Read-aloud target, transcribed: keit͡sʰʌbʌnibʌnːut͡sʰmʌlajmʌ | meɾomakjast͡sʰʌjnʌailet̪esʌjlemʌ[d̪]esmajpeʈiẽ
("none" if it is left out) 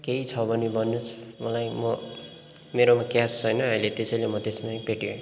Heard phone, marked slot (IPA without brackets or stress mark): t̪